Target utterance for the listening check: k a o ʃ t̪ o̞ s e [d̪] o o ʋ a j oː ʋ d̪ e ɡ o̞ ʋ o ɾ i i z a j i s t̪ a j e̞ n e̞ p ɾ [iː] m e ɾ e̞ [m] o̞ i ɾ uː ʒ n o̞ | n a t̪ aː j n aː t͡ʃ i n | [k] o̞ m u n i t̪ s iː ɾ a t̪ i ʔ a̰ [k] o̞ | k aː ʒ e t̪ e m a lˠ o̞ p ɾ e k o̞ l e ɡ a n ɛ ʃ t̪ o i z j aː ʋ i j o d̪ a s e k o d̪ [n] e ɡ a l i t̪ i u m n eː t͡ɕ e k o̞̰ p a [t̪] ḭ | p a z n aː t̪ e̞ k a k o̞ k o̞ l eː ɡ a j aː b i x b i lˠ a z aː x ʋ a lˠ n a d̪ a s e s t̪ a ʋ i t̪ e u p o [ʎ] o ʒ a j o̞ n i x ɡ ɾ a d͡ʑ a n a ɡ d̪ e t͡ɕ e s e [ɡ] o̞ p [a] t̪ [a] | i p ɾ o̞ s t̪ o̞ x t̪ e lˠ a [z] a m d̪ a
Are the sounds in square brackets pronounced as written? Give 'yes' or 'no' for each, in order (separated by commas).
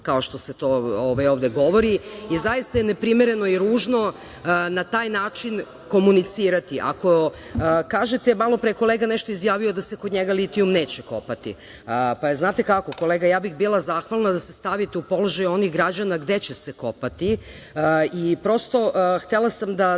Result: no, no, no, yes, yes, no, yes, no, no, yes, no, no